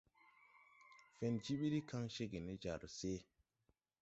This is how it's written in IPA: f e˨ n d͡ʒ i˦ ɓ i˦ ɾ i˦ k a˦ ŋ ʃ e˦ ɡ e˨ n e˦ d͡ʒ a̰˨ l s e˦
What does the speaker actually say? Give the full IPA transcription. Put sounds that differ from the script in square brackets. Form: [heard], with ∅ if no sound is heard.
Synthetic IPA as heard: f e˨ n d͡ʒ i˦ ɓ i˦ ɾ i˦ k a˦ ŋ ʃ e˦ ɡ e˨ n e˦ d͡ʒ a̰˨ [ɾ] s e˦